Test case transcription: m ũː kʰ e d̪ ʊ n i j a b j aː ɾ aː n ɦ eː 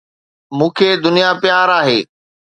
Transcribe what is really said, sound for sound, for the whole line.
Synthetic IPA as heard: m ũː kʰ e d̪ ʊ n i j a p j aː ɾ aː ɦ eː